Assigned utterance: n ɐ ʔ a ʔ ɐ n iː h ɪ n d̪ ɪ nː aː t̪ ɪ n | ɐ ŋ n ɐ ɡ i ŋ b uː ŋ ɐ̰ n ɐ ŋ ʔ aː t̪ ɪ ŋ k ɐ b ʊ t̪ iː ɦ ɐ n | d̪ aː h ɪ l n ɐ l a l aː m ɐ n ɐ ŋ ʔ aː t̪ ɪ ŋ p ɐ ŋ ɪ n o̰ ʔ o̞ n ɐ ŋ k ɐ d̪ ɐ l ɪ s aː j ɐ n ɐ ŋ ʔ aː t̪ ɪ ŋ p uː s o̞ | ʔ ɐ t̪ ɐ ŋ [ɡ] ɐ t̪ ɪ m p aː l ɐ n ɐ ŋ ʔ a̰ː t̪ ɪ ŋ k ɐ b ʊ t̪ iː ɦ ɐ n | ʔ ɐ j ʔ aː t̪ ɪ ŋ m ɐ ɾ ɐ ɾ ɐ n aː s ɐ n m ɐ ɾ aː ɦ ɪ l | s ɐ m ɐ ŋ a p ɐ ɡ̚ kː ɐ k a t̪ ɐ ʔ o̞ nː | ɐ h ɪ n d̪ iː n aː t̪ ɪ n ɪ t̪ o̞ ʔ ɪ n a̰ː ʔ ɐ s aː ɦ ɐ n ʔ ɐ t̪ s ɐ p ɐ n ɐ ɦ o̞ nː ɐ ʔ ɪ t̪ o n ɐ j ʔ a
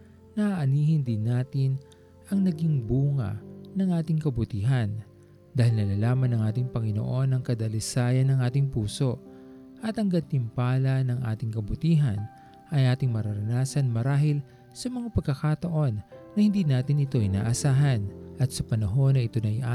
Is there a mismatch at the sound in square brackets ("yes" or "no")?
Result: no